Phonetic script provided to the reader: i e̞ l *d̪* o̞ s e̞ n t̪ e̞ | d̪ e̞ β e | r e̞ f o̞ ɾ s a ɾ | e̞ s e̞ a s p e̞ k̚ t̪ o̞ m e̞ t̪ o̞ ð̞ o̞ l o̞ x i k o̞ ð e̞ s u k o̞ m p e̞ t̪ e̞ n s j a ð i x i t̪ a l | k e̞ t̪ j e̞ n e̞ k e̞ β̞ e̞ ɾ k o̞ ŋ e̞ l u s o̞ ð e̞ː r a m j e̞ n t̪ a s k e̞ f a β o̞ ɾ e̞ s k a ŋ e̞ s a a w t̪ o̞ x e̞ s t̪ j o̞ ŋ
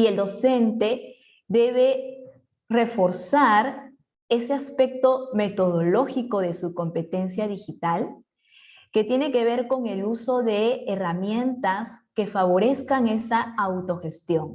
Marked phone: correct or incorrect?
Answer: correct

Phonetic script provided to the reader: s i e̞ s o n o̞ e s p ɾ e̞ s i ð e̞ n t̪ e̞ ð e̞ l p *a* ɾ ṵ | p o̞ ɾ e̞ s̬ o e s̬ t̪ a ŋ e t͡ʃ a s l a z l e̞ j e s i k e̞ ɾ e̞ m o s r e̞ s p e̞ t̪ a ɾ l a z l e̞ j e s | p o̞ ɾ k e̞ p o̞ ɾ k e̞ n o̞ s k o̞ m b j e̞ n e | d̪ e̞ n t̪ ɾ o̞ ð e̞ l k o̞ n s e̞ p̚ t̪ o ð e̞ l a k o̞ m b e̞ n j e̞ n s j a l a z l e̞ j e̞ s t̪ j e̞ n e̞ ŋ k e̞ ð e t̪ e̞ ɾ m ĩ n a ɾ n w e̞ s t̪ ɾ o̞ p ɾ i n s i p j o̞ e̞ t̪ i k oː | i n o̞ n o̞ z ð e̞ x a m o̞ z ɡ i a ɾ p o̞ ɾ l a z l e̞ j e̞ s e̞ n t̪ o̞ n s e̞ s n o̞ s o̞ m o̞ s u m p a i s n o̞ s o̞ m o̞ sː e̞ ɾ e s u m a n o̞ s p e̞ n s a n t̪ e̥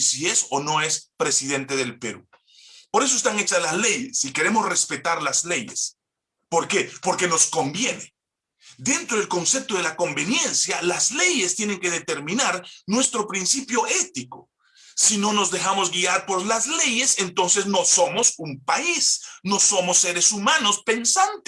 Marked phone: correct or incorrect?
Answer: incorrect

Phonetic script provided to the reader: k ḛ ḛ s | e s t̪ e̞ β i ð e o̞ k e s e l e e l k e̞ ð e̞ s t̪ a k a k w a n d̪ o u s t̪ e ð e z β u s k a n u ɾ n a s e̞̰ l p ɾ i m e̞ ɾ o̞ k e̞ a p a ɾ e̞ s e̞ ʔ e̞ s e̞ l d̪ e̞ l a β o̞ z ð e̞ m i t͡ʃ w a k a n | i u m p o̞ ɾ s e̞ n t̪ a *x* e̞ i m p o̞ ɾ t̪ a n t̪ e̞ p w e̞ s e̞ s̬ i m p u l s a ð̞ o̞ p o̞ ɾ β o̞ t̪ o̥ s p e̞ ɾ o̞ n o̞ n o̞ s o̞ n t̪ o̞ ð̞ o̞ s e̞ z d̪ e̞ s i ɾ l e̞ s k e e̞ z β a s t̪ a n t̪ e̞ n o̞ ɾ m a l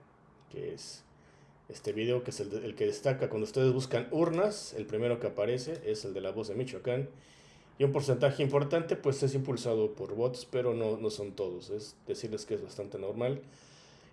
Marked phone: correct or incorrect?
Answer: correct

